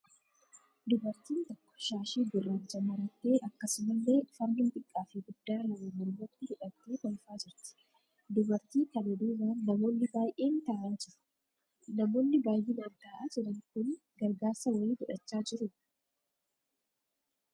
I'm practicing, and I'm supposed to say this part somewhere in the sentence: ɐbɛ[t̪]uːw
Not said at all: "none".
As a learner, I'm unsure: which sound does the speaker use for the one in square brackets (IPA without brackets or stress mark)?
d̪